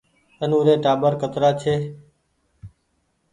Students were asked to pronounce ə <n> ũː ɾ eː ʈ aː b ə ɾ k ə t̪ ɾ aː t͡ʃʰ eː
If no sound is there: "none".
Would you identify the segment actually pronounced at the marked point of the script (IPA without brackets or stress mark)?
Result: n